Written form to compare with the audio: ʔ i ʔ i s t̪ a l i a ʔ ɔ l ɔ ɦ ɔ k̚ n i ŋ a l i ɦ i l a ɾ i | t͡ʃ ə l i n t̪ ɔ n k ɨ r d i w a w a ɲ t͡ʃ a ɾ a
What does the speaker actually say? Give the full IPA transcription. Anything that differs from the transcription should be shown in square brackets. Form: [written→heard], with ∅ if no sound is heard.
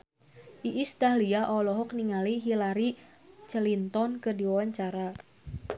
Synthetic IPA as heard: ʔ i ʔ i s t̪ a l i a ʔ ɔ l ɔ ɦ ɔ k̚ n i ŋ a l i ɦ i l a ɾ i | t͡ʃ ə l i n t̪ ɔ n k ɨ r d i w a w a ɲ t͡ʃ a ɾ a